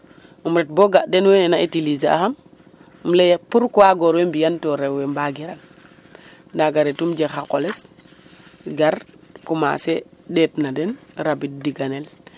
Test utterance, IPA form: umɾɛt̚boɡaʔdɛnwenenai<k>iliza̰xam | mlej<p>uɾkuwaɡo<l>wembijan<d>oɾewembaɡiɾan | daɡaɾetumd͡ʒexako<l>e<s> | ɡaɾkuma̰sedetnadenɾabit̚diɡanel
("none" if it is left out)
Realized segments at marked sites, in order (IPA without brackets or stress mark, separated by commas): t, p, ɾ, t, l, s